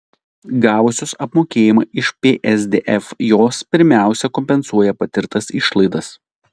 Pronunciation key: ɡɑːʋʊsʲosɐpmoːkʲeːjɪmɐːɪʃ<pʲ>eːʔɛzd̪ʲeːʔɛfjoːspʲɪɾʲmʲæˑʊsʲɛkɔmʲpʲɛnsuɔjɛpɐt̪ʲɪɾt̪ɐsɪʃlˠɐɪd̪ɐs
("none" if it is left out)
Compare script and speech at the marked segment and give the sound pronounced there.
pʲ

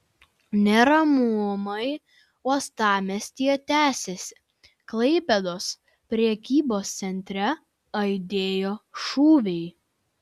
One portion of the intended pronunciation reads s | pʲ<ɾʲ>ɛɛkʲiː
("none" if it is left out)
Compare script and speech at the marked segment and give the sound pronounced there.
ɾʲ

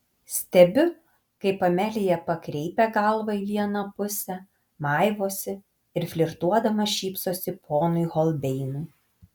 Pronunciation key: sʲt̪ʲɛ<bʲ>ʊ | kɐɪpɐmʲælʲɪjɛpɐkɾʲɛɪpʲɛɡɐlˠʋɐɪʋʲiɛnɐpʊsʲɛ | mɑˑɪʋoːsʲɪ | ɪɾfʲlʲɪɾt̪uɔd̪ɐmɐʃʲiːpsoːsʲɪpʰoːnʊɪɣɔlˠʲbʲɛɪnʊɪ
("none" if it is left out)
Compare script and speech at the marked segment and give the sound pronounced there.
bʲ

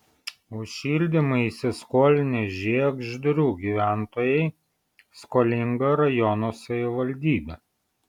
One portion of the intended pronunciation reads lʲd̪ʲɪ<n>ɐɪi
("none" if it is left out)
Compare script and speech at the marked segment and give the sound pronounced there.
m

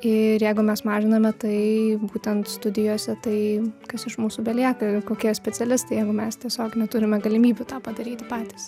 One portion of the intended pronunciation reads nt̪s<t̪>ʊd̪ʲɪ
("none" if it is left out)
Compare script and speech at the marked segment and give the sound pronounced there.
t̪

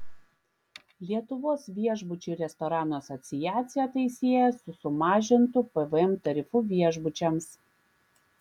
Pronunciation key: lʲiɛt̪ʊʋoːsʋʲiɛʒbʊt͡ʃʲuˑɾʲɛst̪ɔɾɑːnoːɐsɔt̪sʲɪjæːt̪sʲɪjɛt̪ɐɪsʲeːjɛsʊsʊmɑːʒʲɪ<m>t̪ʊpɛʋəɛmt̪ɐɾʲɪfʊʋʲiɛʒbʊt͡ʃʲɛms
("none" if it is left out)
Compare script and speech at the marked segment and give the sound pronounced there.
n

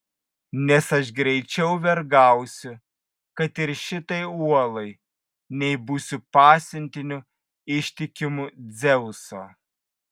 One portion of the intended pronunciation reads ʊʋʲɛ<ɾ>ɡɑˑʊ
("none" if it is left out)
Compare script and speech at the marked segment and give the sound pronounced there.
ɾ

